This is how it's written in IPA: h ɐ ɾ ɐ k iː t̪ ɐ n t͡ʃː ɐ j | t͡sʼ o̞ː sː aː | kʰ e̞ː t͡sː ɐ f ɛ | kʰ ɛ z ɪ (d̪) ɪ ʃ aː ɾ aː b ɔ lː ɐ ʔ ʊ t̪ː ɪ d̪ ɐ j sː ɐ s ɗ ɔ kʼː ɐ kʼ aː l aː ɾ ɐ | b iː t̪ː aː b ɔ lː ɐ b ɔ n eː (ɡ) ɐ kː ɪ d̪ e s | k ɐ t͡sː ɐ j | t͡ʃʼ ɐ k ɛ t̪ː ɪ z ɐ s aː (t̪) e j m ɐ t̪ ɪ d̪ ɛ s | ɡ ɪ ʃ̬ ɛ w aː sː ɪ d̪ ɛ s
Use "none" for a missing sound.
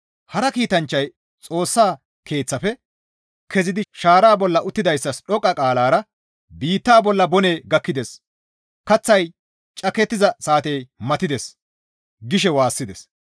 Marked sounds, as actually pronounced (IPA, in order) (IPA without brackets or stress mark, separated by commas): d̪, ɡ, t̪